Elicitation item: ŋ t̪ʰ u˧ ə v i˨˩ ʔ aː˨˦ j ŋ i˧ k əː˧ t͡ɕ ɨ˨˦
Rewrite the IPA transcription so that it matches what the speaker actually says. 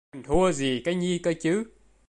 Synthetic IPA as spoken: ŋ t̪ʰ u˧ ə z i˨˩ k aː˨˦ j ɲ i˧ k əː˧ t͡ɕ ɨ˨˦